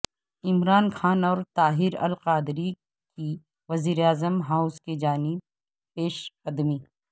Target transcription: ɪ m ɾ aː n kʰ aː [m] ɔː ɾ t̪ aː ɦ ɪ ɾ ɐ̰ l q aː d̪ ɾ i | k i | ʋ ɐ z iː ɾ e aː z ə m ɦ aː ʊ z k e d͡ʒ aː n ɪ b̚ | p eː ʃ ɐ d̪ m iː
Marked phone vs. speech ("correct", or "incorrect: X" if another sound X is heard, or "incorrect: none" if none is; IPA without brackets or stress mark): incorrect: n